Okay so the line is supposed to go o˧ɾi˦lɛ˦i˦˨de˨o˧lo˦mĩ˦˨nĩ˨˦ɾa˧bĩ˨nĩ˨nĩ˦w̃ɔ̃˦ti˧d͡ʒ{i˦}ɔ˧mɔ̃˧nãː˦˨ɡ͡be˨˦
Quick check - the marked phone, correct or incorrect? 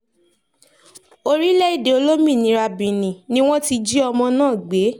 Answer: correct